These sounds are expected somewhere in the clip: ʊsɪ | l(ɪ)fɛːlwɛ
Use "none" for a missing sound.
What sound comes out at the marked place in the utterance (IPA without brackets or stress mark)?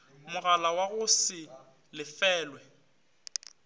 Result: ɪ